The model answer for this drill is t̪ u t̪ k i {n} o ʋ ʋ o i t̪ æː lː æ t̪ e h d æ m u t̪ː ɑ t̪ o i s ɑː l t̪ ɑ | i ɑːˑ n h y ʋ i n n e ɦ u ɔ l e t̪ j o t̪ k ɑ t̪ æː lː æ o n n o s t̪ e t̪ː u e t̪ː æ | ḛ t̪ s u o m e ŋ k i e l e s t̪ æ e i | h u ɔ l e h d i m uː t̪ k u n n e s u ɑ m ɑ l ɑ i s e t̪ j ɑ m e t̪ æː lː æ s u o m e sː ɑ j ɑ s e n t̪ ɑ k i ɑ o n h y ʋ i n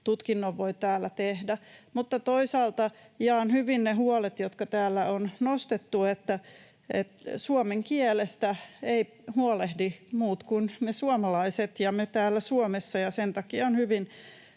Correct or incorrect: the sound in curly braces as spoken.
incorrect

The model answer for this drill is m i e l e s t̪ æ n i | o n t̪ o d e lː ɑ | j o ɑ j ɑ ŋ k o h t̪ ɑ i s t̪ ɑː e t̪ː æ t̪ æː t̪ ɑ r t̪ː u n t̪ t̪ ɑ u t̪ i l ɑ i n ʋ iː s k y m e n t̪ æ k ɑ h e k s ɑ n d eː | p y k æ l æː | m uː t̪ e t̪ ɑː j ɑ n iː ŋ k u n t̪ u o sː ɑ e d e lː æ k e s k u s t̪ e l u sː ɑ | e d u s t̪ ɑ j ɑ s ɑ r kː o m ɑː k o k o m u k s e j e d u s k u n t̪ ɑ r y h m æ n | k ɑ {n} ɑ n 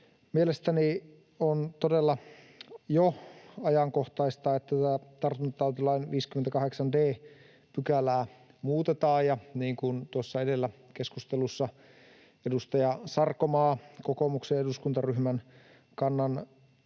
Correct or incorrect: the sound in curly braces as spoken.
incorrect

